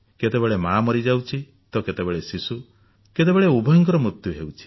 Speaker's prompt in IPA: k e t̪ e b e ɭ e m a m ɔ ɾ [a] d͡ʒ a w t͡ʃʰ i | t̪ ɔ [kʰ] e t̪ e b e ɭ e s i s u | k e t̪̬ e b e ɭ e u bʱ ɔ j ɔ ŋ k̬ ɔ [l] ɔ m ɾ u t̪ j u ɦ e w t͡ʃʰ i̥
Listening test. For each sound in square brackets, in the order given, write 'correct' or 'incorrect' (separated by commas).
incorrect, incorrect, incorrect